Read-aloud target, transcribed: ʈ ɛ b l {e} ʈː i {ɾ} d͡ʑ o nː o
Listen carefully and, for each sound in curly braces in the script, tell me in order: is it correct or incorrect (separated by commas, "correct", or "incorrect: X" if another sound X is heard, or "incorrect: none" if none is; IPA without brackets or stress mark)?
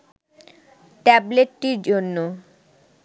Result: correct, correct